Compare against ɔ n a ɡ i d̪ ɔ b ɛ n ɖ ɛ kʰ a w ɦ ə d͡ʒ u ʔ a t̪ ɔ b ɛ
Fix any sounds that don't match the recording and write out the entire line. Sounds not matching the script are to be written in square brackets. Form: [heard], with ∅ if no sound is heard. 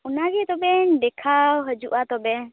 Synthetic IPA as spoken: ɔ n a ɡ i [t̪] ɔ b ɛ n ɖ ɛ kʰ a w ɦ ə d͡ʒ u ʔ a t̪ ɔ b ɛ

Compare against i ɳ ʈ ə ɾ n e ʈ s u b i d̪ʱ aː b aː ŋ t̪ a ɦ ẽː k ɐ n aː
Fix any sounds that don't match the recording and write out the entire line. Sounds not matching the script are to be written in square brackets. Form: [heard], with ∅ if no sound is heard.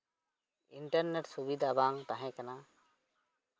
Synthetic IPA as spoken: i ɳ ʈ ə ɾ n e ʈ s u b i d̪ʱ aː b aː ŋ t̪ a ɦ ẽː k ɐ n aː

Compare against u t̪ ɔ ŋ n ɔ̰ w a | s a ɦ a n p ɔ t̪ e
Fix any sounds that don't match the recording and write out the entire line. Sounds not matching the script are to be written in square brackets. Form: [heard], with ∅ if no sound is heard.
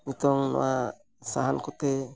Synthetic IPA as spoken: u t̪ ɔ ŋ n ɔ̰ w a | s a ɦ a n [k] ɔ t̪ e

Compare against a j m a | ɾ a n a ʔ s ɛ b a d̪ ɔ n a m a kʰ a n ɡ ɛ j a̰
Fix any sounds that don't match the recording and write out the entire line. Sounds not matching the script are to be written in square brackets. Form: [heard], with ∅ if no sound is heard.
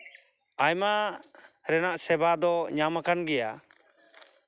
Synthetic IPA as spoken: a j m a | ɾ [ɛ] n a ʔ s ɛ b a d̪ ɔ [ɲ] a m a [k] a n ɡ ɛ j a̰

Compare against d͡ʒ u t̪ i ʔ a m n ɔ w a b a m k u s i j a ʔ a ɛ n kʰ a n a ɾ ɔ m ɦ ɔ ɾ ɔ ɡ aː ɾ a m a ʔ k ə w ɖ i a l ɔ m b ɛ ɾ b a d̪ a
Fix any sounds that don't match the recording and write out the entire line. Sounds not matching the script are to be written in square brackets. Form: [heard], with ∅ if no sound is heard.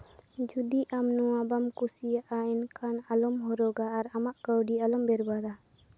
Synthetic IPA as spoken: d͡ʒ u [d̪] i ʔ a m n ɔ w a b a m k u s i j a ʔ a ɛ n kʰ a n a [l] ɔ m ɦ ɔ ɾ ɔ ɡ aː ɾ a m a ʔ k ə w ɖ i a l ɔ m b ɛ ɾ b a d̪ a

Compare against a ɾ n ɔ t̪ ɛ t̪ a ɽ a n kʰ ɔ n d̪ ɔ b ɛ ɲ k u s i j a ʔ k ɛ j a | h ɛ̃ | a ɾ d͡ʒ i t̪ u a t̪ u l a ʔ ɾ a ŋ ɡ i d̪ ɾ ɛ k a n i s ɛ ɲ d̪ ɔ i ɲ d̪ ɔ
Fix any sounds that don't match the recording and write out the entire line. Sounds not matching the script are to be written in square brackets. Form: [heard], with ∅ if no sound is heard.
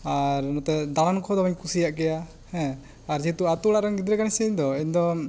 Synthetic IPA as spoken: a ɾ n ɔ t̪ ɛ [d̪] a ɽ a n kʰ ɔ [∅] d̪ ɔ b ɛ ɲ k u s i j a ʔ k ɛ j a | h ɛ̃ | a ɾ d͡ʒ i t̪ u a t̪ u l a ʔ ɾ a ŋ ɡ i d̪ ɾ ɛ k a n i s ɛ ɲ d̪ ɔ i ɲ d̪ ɔ

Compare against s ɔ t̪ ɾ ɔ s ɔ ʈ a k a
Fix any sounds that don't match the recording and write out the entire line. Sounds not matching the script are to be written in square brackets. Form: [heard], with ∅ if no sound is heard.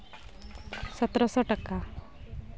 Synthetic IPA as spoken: s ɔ t̪ ɾ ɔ s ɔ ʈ a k a

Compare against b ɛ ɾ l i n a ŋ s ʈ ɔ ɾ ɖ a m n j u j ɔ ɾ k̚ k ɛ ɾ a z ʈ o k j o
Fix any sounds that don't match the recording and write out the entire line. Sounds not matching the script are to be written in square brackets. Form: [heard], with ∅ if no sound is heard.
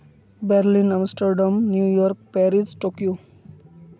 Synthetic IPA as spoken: b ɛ ɾ l i n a [m] s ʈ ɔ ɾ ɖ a m n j u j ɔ ɾ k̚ [p] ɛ ɾ [i] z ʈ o k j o

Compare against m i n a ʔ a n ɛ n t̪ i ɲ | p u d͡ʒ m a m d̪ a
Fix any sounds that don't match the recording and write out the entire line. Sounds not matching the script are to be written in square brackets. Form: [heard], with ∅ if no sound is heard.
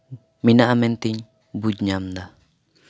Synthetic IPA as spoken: m i n a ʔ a [m] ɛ n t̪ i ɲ | [b] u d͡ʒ [ɲ] a m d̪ a

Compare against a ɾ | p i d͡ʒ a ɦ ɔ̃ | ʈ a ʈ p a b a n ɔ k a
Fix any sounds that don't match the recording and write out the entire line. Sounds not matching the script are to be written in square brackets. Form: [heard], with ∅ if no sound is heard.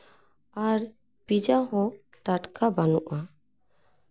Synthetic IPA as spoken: a ɾ | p i d͡ʒ a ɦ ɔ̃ | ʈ a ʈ [k] a b a n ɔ [ʔ] a

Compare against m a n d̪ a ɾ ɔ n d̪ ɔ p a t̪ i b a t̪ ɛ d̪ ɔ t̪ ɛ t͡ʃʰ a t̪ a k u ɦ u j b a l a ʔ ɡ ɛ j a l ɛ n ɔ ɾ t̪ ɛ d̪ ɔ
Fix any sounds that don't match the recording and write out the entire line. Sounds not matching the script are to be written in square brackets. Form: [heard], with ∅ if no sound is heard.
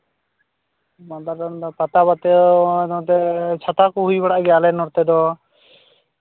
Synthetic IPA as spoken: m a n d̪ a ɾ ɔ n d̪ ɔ p a t̪ [a] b a t̪ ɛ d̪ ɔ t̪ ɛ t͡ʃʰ a t̪ a k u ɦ u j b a [ɽ] a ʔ ɡ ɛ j a l ɛ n ɔ ɾ t̪ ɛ d̪ ɔ

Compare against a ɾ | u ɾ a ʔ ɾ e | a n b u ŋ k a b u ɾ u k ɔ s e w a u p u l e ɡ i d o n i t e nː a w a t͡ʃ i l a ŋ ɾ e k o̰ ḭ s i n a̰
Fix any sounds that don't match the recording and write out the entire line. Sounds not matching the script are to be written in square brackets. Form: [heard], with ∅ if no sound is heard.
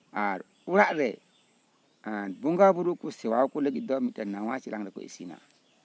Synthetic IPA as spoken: a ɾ | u ɾ a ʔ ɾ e | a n b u ŋ [ɡ] a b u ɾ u k [u] s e w a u [k] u l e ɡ i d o [m] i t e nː a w a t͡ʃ i l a ŋ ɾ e k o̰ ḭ s i n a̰

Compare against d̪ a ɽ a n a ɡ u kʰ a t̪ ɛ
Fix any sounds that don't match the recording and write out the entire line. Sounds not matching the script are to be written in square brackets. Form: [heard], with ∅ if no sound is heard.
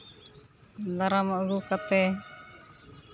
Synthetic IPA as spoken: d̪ a [ɾ] a [m] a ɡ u [k] a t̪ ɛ

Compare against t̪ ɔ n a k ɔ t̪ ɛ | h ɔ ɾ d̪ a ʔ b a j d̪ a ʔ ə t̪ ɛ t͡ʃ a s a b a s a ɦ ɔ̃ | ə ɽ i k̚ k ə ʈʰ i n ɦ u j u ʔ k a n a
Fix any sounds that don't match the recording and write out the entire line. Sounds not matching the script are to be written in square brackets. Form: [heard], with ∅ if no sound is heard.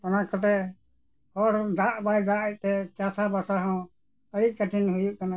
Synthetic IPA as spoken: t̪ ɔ n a k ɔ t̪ ɛ | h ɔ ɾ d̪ a ʔ b a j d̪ a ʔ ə t̪ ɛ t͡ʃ a s a b a s a ɦ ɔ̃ | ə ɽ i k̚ k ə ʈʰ i n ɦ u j u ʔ k a n a

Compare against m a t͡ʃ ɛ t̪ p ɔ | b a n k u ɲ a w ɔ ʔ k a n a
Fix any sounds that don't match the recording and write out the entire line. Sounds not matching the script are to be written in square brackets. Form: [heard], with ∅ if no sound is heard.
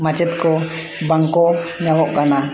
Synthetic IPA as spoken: m a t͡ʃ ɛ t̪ [k] ɔ | b a [ŋ] k [ɔ] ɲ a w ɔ ʔ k a n a

